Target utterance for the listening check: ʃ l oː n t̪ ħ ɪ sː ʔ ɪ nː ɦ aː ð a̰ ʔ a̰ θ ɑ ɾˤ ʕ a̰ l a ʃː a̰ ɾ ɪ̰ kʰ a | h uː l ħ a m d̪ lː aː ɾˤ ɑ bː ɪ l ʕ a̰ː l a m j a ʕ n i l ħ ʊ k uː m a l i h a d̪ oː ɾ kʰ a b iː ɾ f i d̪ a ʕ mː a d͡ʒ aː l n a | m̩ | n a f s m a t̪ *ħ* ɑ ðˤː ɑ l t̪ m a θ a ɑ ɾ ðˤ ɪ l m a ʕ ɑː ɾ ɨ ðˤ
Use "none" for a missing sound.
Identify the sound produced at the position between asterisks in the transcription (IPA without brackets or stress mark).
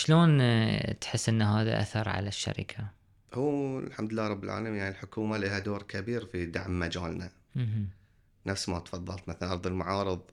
f